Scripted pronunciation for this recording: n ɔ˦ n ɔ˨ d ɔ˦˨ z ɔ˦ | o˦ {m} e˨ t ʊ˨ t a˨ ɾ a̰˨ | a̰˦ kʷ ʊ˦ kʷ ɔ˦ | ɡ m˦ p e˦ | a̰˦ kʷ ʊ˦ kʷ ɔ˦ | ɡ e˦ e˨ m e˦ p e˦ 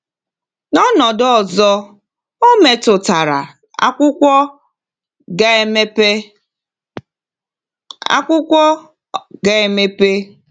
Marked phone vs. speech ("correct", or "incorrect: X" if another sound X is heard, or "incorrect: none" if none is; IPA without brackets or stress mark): correct